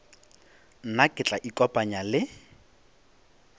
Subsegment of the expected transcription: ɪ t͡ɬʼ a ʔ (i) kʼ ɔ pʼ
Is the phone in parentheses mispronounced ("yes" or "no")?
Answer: no